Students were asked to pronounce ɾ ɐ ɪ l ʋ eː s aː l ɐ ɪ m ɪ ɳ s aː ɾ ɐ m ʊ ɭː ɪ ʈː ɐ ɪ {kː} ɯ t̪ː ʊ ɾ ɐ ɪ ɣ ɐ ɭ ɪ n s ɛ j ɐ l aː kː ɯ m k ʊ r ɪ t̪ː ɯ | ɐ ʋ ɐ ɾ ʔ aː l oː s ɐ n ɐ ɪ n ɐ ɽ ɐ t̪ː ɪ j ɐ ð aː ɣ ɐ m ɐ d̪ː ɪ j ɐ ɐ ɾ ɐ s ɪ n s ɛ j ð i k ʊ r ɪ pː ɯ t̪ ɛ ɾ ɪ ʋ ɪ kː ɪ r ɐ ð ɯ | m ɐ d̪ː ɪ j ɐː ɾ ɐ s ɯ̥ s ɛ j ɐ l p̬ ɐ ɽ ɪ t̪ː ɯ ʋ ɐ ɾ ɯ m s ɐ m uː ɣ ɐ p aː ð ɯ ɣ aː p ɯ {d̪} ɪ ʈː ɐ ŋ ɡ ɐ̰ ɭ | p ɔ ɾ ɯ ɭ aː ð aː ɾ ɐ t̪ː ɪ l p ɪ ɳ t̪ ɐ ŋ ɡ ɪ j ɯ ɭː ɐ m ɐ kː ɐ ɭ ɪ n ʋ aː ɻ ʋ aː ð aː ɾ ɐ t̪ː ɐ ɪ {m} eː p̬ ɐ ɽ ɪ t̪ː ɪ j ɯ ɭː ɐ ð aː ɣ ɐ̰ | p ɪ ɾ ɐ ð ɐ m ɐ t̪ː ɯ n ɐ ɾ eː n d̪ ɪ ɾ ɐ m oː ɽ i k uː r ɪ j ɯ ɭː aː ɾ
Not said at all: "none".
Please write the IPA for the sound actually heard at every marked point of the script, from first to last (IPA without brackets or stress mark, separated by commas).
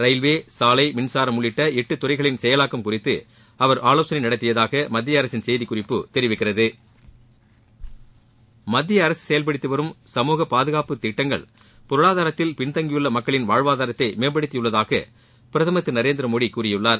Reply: ʈː, t̪, m